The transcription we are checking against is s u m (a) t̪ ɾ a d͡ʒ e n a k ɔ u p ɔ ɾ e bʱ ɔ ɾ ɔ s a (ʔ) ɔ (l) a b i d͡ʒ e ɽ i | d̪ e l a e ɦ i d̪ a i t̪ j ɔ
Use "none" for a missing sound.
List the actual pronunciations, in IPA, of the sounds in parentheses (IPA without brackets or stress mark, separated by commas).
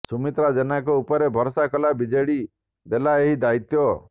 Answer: i, k, l